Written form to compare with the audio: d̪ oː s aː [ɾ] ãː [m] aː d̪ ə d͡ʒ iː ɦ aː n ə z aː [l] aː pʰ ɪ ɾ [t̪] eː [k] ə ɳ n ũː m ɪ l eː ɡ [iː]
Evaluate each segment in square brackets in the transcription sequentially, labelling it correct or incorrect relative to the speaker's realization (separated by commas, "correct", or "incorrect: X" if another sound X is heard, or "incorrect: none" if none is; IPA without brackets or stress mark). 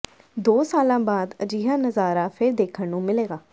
incorrect: l, incorrect: b, incorrect: ɾ, incorrect: d̪, incorrect: kʰ, incorrect: aː